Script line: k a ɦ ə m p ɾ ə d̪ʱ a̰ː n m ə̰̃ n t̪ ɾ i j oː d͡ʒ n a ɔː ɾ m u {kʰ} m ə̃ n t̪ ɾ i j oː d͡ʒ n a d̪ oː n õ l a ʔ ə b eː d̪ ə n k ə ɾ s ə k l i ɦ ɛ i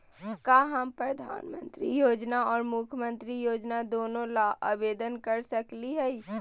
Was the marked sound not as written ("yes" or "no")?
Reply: no